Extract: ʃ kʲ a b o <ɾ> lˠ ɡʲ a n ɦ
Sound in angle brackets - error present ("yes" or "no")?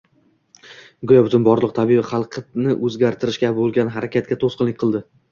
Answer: yes